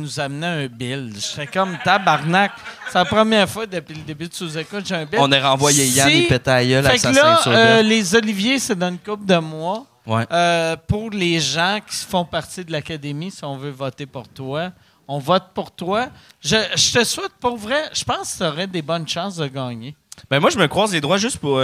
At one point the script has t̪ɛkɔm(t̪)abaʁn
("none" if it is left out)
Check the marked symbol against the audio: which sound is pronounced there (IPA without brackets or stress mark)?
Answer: t̪